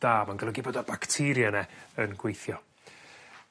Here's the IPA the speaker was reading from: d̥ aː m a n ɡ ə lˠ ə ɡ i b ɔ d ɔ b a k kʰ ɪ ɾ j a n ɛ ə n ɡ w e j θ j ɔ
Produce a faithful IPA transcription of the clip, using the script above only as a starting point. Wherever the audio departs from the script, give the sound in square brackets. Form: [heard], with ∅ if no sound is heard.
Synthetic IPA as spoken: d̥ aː m a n ɡ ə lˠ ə ɡ i b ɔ d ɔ b a k [tʰ] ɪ ɾ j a n ɛ ə n ɡ w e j θ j ɔ